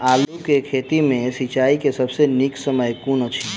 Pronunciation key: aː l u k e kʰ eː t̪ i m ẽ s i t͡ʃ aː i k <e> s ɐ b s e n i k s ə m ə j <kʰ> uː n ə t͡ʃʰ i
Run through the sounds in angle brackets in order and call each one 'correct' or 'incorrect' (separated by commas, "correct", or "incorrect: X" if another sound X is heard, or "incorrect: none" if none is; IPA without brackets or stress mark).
correct, incorrect: k